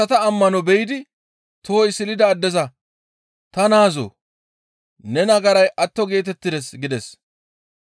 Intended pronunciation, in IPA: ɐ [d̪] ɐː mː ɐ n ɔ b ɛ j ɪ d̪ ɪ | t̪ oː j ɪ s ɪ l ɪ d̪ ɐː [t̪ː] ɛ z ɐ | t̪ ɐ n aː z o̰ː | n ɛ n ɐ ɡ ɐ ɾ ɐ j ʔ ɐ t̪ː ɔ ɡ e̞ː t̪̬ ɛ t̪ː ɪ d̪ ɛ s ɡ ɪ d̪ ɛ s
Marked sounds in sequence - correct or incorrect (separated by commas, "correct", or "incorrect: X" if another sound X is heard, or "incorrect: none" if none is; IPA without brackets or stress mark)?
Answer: incorrect: t̪, incorrect: d̪ː